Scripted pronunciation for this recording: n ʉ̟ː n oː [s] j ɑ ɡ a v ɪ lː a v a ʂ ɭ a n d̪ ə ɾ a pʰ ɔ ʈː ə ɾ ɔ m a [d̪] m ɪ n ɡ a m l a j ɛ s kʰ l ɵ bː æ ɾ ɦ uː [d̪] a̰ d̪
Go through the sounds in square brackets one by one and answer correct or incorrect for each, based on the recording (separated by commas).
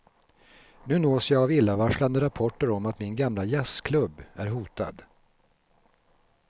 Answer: correct, incorrect, incorrect